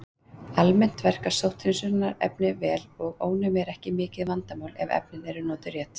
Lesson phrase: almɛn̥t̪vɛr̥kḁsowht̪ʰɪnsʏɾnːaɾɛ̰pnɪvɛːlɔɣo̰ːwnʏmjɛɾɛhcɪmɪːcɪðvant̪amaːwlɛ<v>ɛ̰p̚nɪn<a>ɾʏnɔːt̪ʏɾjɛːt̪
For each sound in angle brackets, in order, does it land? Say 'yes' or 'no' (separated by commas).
yes, no